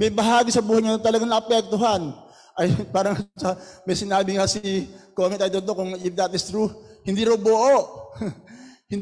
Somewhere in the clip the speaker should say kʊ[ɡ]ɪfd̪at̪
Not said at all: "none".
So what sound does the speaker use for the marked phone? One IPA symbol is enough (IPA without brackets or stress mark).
ŋ